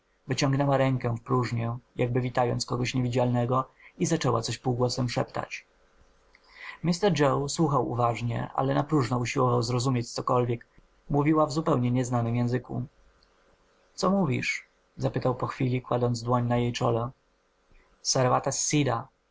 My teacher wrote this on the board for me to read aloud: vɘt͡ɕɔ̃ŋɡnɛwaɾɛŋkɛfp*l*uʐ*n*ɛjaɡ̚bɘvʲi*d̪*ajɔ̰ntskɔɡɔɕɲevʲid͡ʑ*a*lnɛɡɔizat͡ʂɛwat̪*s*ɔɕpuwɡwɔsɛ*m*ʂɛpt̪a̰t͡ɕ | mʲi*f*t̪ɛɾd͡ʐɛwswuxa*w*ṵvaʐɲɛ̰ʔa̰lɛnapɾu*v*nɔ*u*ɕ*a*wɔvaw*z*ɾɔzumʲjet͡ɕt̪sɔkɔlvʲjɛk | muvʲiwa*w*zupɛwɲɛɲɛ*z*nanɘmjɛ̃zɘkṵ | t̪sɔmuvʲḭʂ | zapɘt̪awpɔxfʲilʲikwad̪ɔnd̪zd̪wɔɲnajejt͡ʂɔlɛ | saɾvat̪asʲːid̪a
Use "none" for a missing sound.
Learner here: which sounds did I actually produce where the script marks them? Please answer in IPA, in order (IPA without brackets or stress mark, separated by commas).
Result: ɾ, ɲ, t̪, a, s, m, s, w, ʐ, u, i, z, v, z